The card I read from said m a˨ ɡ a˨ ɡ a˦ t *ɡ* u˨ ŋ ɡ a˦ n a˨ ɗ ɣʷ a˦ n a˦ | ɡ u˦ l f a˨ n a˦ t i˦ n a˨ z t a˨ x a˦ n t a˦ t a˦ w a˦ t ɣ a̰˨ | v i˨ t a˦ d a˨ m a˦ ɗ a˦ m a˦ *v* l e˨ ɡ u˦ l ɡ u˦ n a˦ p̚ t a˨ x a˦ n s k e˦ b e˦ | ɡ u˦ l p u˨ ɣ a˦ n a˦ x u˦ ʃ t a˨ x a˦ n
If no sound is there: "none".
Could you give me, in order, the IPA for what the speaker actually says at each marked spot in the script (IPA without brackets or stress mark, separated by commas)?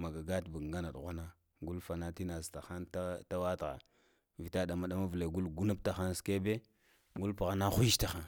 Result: b, v